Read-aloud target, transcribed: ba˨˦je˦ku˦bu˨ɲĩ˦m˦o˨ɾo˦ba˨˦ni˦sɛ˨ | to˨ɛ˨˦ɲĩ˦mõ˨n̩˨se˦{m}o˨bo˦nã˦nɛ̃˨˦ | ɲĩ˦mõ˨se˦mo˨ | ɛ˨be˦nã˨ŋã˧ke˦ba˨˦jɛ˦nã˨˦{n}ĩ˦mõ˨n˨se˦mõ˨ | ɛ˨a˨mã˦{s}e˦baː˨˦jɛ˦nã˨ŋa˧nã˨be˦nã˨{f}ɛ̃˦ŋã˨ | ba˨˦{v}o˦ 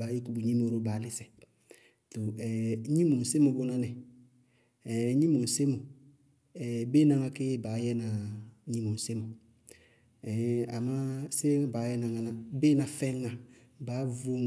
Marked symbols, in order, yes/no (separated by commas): yes, no, yes, yes, yes